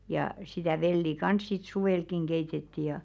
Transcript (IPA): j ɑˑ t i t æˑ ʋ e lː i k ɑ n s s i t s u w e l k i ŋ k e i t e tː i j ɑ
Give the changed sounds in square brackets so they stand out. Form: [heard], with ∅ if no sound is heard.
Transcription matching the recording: j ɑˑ [s] i t æˑ ʋ e lː i k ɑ n s s i t s u w e l k i ŋ k e i t e tː i j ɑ

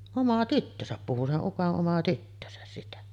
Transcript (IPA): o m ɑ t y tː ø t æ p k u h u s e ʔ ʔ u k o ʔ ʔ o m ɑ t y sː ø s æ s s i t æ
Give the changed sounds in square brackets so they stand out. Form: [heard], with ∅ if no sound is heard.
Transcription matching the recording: o m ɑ t y tː ø [s] æ p [p] u h u s e ʔ ʔ u k o ʔ ʔ o m ɑ t y [tː] ø s æ s s i t æ

